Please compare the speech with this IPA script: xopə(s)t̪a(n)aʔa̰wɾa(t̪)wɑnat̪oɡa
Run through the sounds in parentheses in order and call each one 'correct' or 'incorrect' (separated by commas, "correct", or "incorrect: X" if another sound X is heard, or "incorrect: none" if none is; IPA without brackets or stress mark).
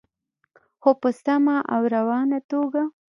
correct, incorrect: m, incorrect: none